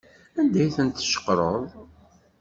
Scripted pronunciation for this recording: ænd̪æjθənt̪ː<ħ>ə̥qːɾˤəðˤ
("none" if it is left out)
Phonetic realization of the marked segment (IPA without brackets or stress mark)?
ʃ